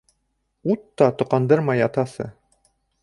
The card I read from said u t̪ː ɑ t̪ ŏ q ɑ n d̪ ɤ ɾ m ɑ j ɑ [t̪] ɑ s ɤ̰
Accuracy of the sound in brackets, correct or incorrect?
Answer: correct